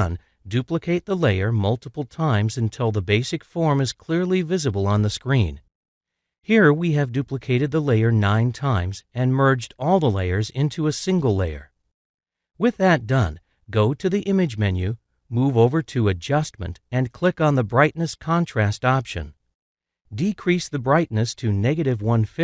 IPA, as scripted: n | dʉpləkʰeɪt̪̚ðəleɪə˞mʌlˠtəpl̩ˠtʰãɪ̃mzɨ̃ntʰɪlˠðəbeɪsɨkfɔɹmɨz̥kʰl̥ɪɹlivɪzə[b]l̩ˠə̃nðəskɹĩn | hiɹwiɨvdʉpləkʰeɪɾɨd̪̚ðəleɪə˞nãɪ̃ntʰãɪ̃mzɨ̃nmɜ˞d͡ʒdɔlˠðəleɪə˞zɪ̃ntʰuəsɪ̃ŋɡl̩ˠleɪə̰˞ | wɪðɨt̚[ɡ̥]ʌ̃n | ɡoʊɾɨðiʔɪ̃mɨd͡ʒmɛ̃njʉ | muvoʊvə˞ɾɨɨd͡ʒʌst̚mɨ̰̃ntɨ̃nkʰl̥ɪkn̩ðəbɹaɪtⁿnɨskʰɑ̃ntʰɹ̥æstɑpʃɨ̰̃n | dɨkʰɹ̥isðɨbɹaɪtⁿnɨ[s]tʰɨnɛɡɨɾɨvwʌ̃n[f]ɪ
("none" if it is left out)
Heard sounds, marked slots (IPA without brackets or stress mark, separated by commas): b, d̥, s, f